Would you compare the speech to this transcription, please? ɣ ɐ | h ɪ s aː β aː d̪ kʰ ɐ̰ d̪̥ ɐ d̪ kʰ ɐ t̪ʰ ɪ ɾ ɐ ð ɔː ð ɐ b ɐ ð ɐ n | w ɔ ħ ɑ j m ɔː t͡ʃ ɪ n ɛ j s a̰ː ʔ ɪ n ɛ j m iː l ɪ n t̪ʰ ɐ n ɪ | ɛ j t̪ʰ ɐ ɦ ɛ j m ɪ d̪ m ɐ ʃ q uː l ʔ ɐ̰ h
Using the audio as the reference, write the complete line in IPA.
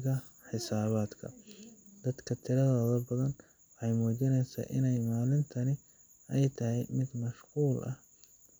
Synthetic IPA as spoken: ɣ ɐ | ħ ɪ s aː β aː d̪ kʰ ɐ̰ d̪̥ ɐ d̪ kʰ ɐ t̪ʰ ɪ ɾ ɐ ð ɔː ð ɐ b ɐ ð ɐ n | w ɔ ħ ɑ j m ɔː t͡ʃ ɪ n ɛ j s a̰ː ʔ ɪ n ɛ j m aː l ɪ n t̪ʰ ɐ n ɪ | ɛ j t̪ʰ ɐ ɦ ɛ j m ɪ d̪ m ɐ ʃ q uː l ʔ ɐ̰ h